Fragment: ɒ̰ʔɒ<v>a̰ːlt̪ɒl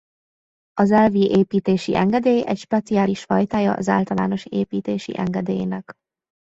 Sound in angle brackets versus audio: incorrect: z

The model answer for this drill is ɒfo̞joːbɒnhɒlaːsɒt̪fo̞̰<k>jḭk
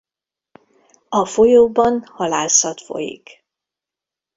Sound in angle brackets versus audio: incorrect: none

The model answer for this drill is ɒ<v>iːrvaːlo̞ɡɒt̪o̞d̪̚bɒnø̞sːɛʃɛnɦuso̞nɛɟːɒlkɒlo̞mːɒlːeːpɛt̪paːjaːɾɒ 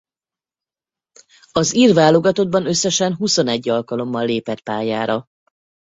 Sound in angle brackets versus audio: incorrect: z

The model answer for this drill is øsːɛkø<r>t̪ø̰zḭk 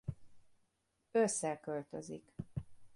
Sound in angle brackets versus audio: incorrect: l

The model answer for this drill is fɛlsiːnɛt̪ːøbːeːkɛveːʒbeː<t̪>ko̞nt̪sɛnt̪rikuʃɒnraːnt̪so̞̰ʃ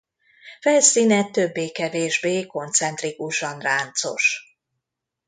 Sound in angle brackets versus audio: incorrect: none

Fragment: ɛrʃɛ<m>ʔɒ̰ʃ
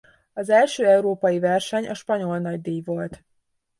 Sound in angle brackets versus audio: incorrect: ɲ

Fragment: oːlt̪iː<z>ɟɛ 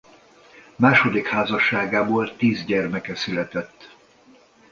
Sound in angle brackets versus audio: correct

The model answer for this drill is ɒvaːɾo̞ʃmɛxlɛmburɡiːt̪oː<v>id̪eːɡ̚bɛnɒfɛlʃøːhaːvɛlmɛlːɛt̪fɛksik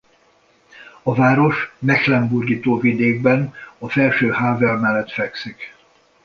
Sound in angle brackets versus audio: correct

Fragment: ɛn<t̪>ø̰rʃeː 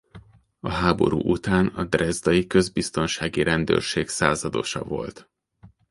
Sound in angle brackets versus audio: incorrect: d̪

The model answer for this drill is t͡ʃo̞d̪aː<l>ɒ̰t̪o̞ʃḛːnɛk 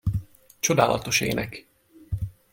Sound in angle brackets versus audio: correct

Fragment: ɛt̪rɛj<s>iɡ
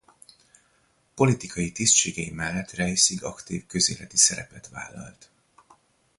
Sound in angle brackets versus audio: correct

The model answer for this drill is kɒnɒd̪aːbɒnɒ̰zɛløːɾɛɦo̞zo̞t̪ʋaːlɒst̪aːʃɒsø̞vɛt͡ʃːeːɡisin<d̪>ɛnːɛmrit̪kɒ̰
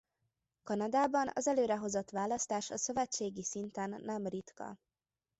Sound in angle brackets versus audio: incorrect: t̪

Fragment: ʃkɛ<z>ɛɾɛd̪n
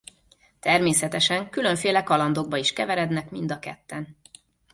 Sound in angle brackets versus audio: incorrect: v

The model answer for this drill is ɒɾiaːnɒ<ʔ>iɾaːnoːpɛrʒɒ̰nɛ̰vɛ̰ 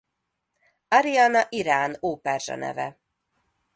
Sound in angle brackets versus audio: correct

